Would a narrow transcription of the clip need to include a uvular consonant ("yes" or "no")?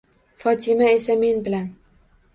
no